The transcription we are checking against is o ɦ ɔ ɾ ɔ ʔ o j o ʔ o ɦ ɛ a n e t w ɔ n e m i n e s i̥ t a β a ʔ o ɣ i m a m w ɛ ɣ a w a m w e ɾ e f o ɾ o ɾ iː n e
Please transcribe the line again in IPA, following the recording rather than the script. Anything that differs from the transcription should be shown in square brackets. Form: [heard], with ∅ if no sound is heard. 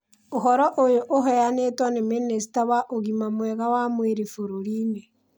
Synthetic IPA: o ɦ ɔ ɾ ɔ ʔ o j o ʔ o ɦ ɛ a n e t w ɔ n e m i n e s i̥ t a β a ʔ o ɣ i m a m w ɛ ɣ a w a m w e ɾ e f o ɾ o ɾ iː n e